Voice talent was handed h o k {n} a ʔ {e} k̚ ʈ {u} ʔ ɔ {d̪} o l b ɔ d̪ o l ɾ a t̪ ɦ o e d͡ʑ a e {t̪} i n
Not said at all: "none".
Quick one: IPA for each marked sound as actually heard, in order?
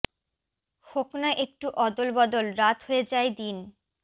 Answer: n, e, u, d̪, d̪

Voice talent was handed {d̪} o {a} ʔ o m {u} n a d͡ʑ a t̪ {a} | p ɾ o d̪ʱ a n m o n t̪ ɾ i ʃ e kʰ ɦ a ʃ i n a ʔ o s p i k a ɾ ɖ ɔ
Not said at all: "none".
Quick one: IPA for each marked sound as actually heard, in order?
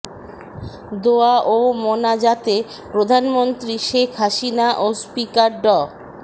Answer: d̪, a, o, e

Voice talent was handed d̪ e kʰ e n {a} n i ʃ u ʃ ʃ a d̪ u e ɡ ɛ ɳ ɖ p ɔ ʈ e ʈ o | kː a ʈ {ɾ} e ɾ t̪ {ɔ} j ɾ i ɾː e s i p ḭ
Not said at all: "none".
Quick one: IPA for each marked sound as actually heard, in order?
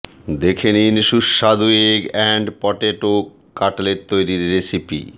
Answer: i, l, o

